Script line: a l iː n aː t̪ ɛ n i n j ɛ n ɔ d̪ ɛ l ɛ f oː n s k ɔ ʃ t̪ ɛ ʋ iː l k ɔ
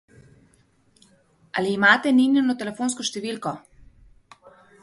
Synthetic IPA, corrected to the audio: a l iː m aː t̪ ɛ n i n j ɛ n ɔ t̪ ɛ l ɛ f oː n s k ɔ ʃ t̪ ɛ ʋ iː l k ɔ